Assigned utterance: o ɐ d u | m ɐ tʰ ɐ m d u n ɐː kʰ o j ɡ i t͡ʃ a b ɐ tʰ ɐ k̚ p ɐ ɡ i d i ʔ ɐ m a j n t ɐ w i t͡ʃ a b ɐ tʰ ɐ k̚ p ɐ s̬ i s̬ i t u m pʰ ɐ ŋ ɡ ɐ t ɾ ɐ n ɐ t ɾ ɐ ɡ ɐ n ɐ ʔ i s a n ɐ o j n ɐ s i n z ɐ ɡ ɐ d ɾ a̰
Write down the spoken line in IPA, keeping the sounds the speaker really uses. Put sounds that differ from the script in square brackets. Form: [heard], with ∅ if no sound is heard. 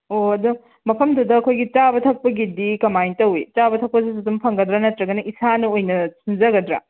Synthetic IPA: o ɐ d u | m ɐ [pʰ] ɐ m d u [d] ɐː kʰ o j ɡ i t͡ʃ a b ɐ tʰ ɐ k̚ p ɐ ɡ i d i [k] ɐ m a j n t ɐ w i t͡ʃ a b ɐ tʰ ɐ k̚ p ɐ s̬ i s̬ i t u m pʰ ɐ ŋ ɡ ɐ [d] ɾ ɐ n ɐ t ɾ ɐ ɡ ɐ n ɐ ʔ i s a n ɐ o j n ɐ s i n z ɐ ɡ ɐ d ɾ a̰

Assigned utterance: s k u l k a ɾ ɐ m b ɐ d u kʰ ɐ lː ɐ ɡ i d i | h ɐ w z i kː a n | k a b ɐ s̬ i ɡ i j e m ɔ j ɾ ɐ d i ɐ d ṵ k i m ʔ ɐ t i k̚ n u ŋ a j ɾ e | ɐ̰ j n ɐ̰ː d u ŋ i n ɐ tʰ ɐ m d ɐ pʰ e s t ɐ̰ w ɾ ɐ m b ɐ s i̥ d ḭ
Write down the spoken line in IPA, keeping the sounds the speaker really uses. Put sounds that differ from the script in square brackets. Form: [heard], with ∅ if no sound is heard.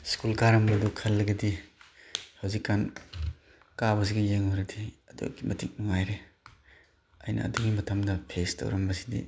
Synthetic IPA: s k u l k a ɾ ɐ m b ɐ d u kʰ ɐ lː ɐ ɡ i d i | h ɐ w z i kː a n | k a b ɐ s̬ i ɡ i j e [ŋ] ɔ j ɾ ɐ d i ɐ d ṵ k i m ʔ ɐ t i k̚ n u ŋ a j ɾ e | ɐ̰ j n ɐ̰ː d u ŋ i [m] ɐ tʰ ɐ m d ɐ pʰ e s t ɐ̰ w ɾ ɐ m b ɐ s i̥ d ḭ

